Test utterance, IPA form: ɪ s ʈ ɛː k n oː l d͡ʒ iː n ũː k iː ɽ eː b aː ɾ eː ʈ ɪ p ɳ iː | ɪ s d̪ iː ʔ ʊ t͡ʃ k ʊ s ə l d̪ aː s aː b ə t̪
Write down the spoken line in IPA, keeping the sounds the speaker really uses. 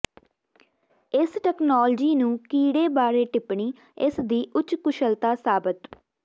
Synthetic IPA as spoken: ɪ s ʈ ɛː k n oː l d͡ʒ iː n ũː k iː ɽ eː b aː ɾ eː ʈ ɪ p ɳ iː | ɪ s d̪ iː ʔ ʊ t͡ʃ k ʊ ʃ ə l t̪ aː s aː b ə t̪